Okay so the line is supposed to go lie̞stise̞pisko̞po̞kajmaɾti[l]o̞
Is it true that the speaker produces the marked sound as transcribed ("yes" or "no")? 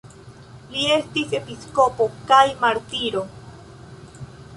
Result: no